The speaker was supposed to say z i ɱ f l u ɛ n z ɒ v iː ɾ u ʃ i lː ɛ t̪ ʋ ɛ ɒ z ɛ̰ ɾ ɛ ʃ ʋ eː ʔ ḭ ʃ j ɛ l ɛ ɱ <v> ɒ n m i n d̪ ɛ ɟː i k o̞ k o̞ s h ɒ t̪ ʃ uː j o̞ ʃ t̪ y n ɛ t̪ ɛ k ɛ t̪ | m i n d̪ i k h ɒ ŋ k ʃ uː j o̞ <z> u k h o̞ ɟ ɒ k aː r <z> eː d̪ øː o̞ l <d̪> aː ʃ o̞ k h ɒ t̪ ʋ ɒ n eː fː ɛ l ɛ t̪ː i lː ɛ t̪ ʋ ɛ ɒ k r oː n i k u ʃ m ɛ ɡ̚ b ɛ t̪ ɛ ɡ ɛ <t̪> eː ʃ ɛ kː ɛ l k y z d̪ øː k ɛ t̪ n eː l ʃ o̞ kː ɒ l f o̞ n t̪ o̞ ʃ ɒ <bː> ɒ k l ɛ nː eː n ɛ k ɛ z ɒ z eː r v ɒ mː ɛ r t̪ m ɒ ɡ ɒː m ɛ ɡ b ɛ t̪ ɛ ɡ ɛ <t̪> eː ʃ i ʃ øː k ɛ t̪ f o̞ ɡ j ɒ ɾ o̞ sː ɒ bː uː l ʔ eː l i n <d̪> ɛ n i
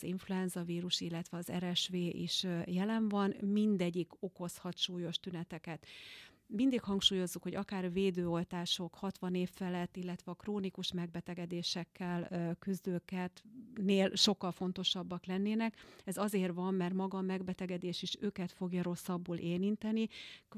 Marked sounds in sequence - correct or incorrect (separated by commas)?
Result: correct, incorrect, incorrect, incorrect, incorrect, correct, incorrect, incorrect